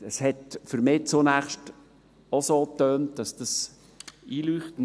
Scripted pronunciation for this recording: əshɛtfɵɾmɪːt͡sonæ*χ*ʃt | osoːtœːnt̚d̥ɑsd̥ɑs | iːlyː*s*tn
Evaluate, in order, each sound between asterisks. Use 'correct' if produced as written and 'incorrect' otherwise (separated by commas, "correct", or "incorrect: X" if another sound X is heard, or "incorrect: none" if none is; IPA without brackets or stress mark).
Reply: correct, incorrect: χ